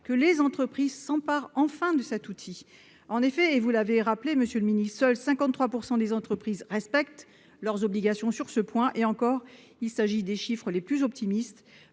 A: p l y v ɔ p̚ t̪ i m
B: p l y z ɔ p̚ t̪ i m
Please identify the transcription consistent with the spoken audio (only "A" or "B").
B